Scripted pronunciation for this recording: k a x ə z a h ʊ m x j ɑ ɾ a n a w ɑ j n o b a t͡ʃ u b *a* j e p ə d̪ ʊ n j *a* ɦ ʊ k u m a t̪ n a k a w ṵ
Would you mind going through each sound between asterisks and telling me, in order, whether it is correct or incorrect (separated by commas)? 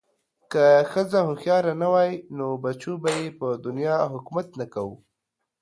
correct, incorrect